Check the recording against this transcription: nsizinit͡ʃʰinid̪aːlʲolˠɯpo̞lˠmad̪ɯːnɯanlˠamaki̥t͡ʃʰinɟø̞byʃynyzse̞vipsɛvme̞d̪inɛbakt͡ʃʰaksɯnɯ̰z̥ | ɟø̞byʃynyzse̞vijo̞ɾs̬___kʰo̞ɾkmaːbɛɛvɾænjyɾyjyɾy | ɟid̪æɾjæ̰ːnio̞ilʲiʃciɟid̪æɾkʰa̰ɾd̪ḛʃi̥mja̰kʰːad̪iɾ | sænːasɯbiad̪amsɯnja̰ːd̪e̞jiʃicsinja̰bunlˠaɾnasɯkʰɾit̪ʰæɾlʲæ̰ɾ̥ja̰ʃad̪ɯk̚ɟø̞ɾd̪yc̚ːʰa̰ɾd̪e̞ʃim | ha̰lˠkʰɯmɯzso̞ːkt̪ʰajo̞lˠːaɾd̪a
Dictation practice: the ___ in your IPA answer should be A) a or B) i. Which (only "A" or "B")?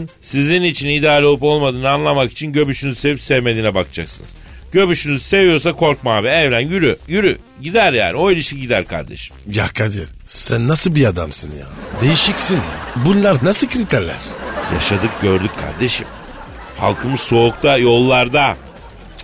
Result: A